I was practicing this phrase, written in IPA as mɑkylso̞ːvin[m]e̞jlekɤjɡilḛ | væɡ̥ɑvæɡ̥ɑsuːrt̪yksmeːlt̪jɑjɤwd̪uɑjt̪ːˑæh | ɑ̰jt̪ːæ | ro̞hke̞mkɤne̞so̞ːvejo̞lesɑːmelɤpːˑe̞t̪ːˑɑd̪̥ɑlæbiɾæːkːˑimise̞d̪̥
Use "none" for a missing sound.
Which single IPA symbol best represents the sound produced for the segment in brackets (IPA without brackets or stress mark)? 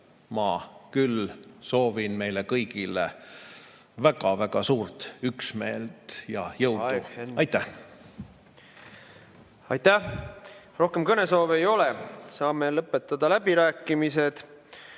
m